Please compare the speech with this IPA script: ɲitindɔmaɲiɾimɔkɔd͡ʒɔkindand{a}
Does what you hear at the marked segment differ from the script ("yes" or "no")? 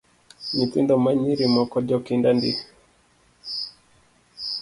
yes